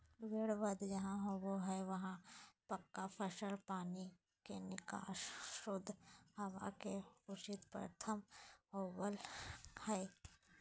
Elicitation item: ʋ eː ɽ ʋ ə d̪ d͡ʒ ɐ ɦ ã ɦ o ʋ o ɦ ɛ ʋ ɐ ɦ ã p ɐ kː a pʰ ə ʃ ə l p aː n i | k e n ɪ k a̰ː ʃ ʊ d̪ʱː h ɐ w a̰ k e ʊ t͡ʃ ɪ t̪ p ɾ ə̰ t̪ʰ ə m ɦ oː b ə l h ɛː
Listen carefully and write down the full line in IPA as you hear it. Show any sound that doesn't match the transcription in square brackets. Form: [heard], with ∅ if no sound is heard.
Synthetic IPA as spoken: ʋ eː ɽ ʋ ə d̪ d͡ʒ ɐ ɦ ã ɦ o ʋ o ɦ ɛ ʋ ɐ ɦ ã p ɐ kː a pʰ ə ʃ ə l p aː n i | k e n ɪ k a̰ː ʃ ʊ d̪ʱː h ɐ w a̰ k e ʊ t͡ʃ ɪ t̪ p ɾ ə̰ t̪ʰ ə m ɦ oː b ə l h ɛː